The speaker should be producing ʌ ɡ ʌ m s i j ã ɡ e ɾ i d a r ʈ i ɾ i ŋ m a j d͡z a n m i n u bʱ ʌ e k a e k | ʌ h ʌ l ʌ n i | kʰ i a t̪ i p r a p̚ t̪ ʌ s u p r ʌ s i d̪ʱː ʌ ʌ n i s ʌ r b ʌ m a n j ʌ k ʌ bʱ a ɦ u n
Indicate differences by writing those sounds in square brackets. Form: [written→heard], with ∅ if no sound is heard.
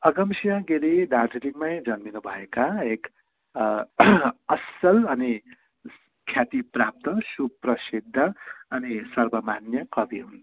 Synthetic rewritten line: ʌ ɡ ʌ m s i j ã ɡ e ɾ i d a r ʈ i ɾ i ŋ m a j d͡z [a→ʌ] n m i n u bʱ ʌ e k a e k | ʌ [h→s] ʌ l ʌ n i | kʰ [i→j] a t̪ i p r a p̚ t̪ ʌ s u p r ʌ s i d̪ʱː ʌ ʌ n i s ʌ r b ʌ m a n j ʌ k ʌ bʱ [a→i] ɦ u n